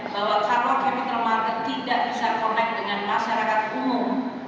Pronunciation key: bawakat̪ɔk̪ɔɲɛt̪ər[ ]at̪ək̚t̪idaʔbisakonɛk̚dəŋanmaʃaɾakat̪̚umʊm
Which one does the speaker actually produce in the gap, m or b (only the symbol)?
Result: m